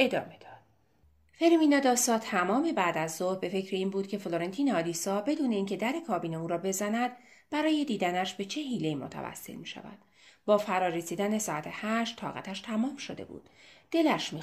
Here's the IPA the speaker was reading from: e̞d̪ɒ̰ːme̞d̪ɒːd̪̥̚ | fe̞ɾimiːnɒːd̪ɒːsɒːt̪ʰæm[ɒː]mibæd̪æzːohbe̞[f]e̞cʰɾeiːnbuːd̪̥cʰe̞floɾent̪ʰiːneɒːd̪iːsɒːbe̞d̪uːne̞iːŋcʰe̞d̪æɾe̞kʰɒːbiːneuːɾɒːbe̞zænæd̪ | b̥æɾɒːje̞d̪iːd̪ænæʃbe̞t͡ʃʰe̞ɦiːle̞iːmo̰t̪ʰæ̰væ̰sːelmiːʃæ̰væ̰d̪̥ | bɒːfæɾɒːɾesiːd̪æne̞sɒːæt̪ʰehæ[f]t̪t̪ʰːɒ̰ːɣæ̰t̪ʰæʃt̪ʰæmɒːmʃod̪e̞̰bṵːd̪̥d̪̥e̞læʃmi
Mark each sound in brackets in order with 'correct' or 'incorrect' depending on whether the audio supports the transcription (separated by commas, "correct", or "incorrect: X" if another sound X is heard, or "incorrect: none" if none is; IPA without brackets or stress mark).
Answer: correct, correct, incorrect: ʃ